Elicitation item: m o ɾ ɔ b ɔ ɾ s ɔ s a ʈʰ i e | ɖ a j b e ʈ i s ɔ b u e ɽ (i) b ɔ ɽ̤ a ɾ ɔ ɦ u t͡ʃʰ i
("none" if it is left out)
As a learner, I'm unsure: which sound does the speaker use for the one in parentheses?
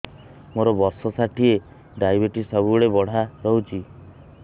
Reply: e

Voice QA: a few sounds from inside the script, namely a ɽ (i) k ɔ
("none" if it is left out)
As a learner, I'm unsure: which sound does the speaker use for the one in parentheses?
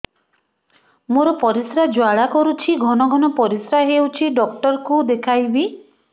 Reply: a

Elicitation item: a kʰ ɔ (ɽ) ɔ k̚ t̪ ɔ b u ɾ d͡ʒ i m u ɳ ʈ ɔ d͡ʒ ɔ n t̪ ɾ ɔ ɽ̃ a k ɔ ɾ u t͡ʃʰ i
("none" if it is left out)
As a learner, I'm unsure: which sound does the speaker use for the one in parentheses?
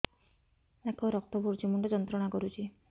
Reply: ɾ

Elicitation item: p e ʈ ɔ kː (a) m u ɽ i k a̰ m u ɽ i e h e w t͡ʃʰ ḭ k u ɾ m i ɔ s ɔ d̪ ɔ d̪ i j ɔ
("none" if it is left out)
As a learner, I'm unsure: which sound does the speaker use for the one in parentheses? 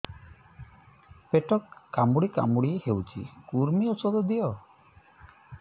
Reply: a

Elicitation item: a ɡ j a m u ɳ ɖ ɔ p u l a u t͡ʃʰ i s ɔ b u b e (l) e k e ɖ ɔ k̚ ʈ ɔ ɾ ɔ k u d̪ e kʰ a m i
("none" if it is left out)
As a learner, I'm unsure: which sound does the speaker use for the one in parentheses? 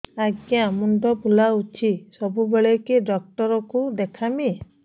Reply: ɭ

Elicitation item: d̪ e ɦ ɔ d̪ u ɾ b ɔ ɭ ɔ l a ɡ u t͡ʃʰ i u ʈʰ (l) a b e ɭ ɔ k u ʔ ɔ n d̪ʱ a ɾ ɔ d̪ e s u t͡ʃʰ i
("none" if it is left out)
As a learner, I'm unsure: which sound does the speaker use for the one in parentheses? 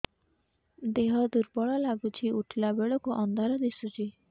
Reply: l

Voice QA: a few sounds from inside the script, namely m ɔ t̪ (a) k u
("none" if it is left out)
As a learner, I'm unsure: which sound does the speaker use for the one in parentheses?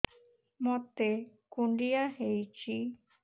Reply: e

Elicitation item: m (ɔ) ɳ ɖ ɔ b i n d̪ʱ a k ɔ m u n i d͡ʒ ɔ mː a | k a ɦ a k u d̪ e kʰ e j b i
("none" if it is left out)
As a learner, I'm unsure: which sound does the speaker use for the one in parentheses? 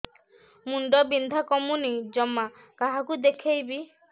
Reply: u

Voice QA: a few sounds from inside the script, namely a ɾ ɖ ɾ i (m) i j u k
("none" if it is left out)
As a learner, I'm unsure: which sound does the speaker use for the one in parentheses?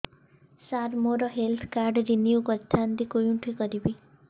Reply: n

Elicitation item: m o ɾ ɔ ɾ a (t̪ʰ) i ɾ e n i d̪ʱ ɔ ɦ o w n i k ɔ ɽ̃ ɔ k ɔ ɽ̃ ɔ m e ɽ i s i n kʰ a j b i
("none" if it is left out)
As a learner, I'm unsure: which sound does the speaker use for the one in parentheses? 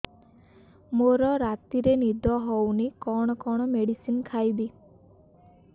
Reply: t̪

